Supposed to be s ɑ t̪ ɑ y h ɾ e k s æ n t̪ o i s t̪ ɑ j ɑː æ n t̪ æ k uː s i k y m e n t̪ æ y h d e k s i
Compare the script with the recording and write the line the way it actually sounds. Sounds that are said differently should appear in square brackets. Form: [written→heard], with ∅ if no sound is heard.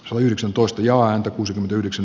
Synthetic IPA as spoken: s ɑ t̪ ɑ y h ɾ e k s æ n t̪ o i s t̪ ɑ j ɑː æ n t̪ æ k uː s i k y m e n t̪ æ y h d e k s [i→æ]